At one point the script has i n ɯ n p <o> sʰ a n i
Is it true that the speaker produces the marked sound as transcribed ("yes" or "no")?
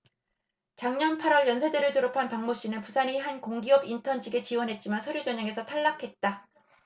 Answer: no